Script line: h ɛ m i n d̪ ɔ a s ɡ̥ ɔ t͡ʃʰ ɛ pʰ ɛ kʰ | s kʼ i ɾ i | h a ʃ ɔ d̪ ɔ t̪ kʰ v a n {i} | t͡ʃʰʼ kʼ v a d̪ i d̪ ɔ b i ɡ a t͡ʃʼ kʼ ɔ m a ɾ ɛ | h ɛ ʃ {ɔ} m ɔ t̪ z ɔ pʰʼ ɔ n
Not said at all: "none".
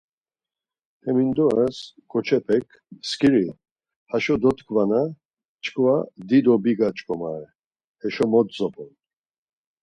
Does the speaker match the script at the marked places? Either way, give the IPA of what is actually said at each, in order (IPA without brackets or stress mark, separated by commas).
a, ɔ